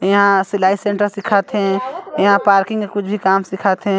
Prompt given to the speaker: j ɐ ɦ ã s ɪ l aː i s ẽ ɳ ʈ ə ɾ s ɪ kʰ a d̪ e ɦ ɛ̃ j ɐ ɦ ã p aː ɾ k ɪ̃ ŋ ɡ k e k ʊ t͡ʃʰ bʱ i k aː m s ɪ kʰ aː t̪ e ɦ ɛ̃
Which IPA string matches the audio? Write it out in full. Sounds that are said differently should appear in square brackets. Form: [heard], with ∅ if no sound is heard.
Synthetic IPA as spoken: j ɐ ɦ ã s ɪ l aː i s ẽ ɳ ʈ ə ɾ s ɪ kʰ a [t̪] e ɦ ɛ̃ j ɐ ɦ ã p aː ɾ k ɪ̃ ŋ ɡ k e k ʊ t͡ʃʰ bʱ i k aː m s ɪ kʰ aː t̪ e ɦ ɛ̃